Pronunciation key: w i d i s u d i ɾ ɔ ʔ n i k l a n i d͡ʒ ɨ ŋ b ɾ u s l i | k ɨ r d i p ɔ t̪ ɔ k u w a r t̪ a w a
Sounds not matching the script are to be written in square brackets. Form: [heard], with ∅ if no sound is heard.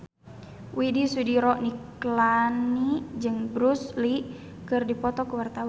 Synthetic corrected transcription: w i d i s u d i ɾ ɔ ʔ n i k l a n i d͡ʒ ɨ ŋ b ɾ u s l i | k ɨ r d i p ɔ t̪ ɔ k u w a r t̪ a w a

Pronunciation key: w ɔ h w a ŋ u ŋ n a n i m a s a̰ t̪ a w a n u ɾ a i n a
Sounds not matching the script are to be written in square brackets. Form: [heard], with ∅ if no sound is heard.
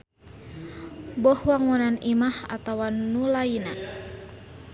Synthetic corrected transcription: [b] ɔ h w a ŋ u [∅] n a n i m a [h] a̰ t̪ a w a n u [l] a i n a

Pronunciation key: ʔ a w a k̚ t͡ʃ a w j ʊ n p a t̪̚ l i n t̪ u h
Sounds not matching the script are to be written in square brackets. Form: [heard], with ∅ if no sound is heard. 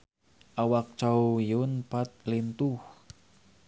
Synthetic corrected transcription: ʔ a w a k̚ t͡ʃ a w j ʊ n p a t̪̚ l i n t̪ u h

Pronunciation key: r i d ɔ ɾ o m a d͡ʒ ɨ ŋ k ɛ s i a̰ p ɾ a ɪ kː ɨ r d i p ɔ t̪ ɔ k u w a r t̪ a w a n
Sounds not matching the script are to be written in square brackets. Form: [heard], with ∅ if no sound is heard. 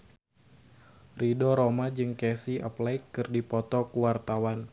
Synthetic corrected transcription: r i d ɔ ɾ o m a d͡ʒ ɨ ŋ k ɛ s i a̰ p [l] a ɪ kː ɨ r d i p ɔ t̪ ɔ k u w a r t̪ a w a n

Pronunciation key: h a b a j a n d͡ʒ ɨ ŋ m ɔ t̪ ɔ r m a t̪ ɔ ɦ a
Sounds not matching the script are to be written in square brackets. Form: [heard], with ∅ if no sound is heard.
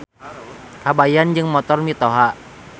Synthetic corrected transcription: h a b a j a n d͡ʒ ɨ ŋ m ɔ t̪ ɔ r m [i] t̪ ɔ ɦ a

